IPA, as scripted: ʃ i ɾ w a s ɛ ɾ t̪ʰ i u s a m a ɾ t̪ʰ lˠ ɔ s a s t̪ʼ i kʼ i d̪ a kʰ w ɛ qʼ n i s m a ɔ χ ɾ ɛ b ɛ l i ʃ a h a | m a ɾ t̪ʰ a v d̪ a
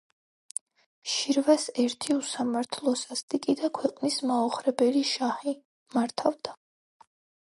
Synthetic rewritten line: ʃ i ɾ v a s ɛ ɾ t̪ʰ i u s a m a ɾ t̪ʰ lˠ ɔ s a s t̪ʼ i kʼ i d̪ a kʰ w ɛ qʼ n i s m a ɔ χ ɾ ɛ b ɛ l i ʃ a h i | m a ɾ t̪ʰ a v d̪ a